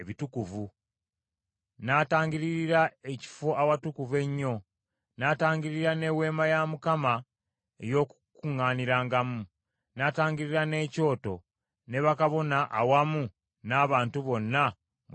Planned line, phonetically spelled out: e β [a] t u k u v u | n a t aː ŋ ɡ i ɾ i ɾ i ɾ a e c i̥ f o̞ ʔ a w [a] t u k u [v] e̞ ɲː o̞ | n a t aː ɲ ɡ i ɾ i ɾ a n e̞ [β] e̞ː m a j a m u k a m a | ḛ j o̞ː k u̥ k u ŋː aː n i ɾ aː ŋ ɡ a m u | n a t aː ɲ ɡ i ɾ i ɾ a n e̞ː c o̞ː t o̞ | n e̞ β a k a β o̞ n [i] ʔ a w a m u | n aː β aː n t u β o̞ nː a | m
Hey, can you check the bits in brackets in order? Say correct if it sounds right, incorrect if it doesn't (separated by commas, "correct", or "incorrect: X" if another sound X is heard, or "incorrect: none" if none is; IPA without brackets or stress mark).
incorrect: i, correct, correct, incorrect: w, incorrect: a